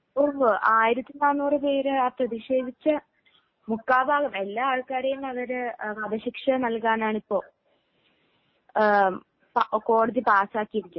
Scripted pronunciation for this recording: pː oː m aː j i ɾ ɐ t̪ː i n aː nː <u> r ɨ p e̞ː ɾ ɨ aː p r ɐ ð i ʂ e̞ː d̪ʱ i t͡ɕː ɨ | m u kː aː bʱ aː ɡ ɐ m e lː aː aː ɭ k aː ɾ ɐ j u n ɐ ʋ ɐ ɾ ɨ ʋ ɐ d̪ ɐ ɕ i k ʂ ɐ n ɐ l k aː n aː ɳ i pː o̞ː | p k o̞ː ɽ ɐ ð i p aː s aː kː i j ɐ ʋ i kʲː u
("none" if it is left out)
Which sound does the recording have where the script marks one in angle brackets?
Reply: uː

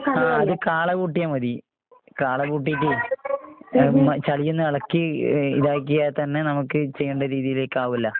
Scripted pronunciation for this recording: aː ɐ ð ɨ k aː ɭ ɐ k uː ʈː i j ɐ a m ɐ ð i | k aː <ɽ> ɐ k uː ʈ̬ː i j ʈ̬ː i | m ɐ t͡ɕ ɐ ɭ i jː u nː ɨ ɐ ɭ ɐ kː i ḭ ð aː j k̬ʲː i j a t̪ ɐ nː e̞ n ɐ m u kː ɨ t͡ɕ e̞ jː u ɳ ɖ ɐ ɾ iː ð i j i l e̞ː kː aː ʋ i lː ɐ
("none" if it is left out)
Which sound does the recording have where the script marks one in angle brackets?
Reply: ɭ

